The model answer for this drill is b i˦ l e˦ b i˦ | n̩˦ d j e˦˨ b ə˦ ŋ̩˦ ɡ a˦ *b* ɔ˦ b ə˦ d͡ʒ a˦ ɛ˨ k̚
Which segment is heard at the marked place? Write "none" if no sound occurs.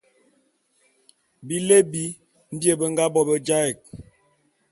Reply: b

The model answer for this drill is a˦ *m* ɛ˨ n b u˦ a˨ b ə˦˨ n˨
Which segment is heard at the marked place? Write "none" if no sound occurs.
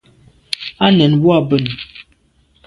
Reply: n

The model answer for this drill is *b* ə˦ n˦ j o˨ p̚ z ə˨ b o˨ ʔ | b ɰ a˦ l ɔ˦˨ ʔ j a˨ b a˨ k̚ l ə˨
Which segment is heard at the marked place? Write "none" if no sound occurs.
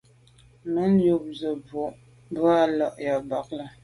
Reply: m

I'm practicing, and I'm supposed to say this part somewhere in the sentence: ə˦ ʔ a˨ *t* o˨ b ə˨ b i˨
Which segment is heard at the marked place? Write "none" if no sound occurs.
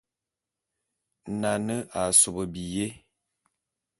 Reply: s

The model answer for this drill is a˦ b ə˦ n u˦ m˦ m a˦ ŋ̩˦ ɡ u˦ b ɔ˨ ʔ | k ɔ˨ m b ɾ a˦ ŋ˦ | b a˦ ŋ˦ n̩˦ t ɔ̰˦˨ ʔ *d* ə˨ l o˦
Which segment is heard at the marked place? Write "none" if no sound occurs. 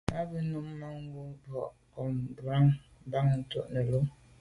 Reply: n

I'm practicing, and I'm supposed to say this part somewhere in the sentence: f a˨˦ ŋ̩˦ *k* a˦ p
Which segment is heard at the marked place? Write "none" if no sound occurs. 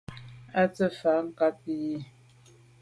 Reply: k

